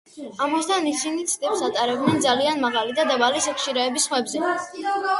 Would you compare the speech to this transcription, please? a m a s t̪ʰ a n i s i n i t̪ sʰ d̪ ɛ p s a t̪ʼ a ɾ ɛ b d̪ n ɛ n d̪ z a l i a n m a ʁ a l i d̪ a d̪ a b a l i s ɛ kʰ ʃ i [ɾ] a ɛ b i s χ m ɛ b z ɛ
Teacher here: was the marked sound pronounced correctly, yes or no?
yes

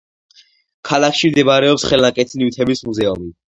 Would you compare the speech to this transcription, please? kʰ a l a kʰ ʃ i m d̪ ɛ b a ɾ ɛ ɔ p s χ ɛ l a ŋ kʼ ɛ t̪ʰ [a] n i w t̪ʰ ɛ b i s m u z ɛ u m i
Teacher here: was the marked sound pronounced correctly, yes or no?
no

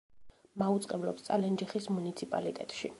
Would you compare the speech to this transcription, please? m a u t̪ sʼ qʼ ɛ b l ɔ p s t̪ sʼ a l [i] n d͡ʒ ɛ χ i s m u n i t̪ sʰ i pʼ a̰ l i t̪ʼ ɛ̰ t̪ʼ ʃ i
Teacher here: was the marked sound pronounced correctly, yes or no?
no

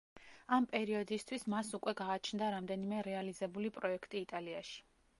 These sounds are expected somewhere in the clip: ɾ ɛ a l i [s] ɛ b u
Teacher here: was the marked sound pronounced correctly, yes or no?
no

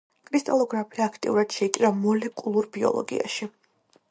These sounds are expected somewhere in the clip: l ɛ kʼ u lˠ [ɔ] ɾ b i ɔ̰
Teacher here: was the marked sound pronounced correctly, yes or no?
no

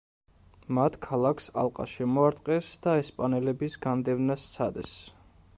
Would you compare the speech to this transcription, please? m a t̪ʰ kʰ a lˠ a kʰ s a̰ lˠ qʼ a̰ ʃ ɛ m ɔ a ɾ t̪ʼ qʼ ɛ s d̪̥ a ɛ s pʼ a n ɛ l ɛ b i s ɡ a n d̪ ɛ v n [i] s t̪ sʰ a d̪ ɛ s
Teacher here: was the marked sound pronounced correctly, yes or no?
no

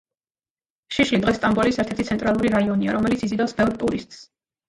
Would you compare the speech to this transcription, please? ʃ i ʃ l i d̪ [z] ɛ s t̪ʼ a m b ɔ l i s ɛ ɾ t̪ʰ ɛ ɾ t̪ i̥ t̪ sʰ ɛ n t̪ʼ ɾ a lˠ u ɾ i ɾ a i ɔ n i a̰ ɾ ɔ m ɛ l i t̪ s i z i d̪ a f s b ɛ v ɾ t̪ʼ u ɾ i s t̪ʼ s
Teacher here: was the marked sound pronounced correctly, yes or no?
no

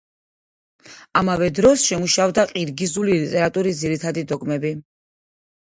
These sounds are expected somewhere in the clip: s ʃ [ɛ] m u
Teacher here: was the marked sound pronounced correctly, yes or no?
yes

